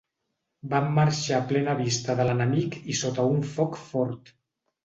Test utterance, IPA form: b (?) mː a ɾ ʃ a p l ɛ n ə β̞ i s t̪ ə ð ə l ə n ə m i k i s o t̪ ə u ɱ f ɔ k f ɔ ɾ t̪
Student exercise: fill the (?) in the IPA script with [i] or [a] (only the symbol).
a